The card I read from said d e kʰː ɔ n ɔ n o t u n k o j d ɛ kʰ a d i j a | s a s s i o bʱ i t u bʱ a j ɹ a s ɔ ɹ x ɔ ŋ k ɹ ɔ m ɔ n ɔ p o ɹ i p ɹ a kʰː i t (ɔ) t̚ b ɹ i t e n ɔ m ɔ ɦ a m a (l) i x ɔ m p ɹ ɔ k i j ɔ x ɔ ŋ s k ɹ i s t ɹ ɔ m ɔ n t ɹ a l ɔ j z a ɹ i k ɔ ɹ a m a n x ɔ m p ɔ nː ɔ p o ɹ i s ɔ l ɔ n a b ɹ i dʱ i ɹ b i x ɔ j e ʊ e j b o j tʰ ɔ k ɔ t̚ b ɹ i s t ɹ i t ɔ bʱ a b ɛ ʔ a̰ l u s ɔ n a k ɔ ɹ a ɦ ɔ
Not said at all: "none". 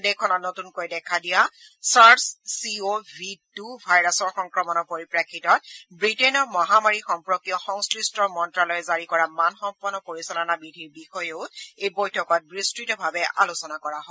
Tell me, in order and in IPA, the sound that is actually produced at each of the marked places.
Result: ɔ, ɹ

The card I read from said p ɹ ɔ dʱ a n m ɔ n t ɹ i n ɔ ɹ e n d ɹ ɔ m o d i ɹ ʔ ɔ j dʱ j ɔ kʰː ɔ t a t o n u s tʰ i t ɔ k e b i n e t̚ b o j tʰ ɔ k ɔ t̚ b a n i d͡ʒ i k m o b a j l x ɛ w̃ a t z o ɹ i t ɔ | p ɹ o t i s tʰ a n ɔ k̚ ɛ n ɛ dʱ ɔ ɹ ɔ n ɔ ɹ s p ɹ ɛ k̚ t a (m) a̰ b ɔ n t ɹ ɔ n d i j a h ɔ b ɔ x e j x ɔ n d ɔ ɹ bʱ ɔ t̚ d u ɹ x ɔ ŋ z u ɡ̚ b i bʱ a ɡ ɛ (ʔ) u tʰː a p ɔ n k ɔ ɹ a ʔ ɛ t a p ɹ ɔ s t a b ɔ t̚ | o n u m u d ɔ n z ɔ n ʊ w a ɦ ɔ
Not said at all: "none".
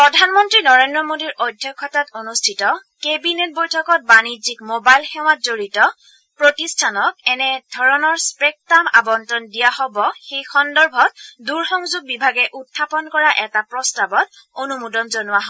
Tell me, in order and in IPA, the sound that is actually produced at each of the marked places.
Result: m, ʔ

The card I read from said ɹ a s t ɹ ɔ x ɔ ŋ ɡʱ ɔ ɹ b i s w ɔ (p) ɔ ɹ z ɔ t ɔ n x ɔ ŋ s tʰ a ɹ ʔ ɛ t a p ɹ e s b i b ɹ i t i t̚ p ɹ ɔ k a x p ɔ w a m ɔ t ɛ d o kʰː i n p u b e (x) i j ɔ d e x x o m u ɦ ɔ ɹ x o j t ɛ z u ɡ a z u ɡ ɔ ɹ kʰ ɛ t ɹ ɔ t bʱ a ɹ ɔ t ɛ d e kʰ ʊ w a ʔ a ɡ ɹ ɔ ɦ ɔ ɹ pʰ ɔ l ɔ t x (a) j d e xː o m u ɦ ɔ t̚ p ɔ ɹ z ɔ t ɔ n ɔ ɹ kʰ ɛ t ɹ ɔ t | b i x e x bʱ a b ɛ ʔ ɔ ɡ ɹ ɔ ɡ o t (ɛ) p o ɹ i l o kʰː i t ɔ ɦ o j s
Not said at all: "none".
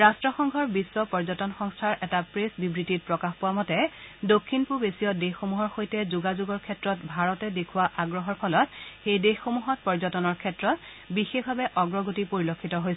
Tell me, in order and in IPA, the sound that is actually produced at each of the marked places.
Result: p, s, e, i

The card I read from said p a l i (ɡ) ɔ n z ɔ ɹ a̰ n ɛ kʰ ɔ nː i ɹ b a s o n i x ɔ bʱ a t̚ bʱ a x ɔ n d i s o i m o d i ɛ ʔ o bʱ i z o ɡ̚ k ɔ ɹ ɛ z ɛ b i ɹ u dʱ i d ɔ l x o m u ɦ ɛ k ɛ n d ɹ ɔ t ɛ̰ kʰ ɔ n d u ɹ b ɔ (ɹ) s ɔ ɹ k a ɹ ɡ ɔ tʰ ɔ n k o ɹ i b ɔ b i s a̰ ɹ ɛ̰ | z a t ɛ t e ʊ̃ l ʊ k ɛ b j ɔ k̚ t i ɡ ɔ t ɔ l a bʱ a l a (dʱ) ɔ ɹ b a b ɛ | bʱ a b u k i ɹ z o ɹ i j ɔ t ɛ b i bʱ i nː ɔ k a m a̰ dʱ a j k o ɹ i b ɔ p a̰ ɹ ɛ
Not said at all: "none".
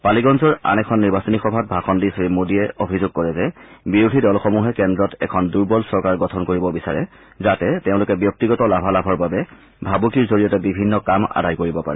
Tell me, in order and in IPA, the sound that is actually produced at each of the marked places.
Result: ɡ, l, bʱ

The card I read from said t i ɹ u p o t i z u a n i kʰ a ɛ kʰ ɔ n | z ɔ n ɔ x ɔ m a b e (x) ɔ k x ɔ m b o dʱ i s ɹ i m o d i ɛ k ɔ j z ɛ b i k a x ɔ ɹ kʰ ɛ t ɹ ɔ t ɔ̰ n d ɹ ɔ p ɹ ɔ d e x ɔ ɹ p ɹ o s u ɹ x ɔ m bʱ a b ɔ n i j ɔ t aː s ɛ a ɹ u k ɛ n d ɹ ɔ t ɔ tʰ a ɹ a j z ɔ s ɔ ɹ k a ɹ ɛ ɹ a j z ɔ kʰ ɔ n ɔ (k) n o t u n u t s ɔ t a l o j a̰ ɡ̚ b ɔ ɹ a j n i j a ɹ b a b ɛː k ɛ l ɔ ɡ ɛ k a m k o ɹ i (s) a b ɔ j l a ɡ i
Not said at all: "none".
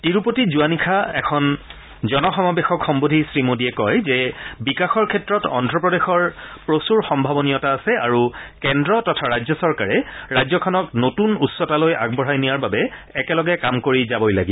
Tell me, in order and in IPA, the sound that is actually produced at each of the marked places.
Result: x, k, z

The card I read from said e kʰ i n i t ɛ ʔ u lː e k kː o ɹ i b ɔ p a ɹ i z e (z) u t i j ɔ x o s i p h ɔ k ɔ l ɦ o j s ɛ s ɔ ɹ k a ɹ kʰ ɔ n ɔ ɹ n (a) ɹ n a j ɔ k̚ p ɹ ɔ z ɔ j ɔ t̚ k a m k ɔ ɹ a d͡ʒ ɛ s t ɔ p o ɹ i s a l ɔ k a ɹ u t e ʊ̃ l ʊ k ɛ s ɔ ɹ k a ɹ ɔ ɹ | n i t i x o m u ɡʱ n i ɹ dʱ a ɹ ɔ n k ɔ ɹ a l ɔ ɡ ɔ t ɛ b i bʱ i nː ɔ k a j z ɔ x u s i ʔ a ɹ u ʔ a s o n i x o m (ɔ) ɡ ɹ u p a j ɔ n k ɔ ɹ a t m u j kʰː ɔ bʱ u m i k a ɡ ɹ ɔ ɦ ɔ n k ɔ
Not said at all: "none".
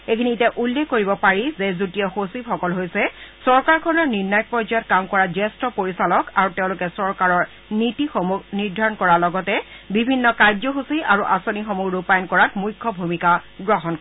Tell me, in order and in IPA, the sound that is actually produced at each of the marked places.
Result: z, i, u

